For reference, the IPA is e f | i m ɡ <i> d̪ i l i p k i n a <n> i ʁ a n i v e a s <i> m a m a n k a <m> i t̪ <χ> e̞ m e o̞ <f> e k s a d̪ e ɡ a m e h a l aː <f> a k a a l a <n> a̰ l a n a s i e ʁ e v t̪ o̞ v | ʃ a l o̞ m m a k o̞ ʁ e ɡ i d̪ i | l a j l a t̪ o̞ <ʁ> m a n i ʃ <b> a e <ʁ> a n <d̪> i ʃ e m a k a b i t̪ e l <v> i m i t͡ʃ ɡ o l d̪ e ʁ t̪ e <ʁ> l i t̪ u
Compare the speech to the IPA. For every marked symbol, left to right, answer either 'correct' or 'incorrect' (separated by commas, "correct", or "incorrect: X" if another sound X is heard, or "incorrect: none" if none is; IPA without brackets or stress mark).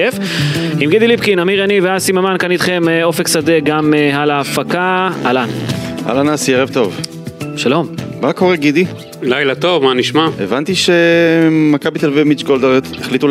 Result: correct, incorrect: m, correct, incorrect: n, correct, correct, correct, correct, incorrect: v, incorrect: m, incorrect: v, incorrect: t̪, correct, incorrect: χ